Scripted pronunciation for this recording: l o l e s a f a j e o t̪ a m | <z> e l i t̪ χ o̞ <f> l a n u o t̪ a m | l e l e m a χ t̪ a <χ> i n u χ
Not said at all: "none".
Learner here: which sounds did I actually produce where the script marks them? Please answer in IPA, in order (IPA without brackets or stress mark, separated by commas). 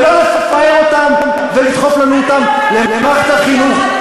v, f, χ